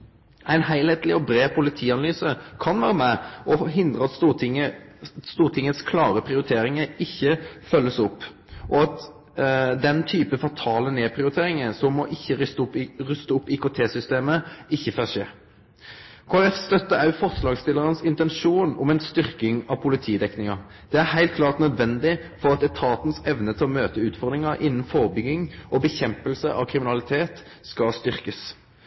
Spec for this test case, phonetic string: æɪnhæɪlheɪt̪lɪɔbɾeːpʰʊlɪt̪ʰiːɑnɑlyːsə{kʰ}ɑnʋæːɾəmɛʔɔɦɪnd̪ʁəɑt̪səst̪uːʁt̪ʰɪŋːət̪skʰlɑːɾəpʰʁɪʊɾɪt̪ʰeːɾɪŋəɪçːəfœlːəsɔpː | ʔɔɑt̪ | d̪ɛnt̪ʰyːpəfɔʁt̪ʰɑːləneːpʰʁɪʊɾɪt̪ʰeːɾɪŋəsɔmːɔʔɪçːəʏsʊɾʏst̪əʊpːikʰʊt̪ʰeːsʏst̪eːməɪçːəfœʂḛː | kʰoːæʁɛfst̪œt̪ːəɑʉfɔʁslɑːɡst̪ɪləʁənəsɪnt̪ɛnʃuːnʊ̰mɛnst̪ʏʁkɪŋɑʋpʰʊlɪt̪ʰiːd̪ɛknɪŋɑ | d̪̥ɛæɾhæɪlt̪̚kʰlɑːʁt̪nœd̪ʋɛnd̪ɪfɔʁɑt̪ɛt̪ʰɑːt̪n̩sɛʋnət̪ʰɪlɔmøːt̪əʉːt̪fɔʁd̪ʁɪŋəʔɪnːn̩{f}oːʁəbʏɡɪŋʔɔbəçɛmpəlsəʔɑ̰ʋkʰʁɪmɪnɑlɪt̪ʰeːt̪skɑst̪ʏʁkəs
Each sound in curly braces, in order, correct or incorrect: correct, correct

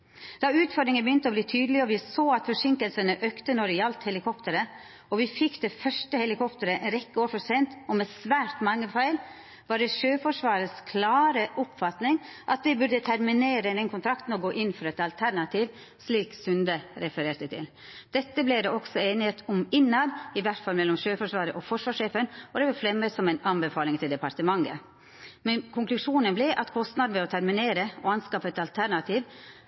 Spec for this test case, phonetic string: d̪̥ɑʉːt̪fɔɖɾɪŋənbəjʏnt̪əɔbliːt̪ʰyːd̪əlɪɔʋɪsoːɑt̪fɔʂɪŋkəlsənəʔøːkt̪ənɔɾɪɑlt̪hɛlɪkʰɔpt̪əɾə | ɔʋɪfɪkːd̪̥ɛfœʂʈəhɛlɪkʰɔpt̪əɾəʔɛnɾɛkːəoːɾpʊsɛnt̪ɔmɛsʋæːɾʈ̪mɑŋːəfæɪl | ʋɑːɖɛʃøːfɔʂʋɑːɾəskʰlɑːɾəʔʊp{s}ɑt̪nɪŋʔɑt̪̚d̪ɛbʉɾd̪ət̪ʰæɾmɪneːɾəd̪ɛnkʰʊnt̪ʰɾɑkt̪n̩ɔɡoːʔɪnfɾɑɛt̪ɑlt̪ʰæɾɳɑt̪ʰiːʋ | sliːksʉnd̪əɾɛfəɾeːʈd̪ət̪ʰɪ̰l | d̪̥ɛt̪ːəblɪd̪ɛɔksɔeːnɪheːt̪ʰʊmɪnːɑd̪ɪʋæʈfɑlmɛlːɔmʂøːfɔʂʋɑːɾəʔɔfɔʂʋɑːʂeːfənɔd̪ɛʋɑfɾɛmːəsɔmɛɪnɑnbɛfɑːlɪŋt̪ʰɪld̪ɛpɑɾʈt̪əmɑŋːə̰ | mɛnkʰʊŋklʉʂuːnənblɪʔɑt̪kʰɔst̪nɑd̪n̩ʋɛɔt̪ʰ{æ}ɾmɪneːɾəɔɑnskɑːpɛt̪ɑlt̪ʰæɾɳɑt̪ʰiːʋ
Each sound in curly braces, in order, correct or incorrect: incorrect, correct

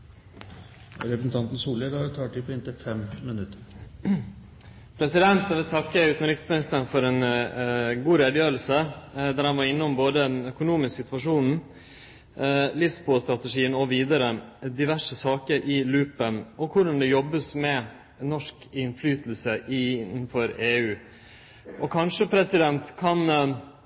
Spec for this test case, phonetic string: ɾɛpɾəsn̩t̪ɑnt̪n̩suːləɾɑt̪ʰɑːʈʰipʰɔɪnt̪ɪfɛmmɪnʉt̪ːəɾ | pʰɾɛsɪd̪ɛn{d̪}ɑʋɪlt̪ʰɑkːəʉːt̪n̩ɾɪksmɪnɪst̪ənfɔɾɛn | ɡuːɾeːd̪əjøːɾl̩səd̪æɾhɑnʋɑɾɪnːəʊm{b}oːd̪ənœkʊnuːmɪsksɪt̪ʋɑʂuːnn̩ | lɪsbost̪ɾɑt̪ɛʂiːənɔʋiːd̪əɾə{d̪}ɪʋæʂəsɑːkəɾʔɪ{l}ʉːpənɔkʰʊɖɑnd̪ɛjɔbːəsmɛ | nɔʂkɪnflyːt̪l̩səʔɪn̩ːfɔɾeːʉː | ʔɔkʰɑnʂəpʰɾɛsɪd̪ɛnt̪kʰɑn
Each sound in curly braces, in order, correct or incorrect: incorrect, correct, correct, correct

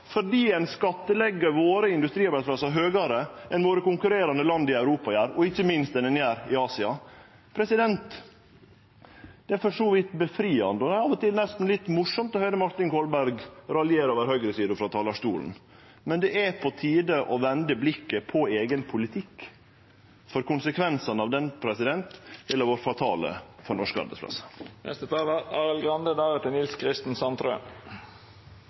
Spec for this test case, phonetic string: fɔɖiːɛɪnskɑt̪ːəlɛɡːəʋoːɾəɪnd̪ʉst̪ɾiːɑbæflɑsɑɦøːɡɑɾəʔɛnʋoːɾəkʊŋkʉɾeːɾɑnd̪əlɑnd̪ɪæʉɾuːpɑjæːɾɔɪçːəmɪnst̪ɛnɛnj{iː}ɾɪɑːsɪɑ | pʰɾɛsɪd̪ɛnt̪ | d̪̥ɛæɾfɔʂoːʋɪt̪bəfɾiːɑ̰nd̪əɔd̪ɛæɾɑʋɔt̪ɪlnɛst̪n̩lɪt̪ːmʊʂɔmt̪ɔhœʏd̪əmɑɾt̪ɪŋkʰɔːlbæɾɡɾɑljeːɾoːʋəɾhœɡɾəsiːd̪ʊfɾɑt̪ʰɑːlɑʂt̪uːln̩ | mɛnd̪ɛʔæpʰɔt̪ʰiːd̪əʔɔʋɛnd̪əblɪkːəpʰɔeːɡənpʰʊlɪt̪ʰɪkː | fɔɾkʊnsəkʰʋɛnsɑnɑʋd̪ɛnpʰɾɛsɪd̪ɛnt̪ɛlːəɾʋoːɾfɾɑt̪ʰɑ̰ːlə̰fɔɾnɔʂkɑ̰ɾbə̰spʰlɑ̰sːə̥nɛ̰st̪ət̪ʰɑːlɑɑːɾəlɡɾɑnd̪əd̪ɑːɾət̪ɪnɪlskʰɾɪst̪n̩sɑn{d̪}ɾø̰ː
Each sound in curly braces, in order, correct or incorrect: incorrect, incorrect

